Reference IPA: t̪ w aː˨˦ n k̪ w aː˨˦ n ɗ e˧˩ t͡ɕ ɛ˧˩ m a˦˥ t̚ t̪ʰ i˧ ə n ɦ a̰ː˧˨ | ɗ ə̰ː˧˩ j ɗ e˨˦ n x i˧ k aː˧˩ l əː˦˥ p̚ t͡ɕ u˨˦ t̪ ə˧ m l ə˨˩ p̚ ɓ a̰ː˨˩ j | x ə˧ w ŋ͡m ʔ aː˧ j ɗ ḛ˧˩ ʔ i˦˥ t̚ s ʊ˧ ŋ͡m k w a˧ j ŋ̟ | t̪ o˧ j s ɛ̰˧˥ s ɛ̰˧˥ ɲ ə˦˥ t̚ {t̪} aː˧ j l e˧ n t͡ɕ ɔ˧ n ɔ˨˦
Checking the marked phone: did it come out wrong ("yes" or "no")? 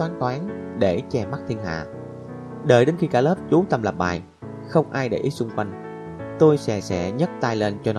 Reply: no